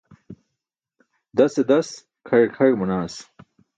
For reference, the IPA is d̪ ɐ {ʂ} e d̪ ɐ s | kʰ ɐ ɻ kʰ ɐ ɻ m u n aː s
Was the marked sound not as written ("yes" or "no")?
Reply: yes